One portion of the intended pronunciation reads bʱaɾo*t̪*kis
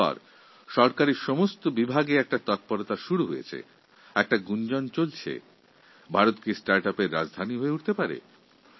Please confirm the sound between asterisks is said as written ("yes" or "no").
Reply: yes